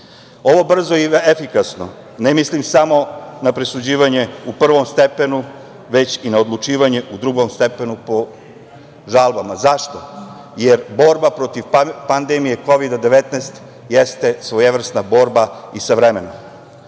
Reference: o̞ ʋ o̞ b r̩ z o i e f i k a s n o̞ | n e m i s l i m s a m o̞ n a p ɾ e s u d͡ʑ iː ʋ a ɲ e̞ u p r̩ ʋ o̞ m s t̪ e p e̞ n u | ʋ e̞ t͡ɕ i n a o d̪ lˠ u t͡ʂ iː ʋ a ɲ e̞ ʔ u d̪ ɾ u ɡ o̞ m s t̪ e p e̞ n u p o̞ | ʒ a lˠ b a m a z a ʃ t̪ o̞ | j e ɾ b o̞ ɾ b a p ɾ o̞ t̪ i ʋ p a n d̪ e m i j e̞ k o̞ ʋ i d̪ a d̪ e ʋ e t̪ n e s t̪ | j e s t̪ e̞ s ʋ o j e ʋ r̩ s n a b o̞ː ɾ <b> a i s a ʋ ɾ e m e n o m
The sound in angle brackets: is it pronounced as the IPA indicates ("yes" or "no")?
yes